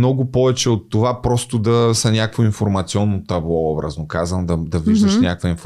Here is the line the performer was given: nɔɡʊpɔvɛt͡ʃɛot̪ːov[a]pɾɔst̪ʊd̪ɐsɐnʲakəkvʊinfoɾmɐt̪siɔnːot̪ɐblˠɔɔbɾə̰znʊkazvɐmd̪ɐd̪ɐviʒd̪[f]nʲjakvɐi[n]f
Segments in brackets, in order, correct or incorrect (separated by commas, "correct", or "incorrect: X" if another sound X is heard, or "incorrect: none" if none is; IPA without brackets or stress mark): correct, incorrect: ʃ, correct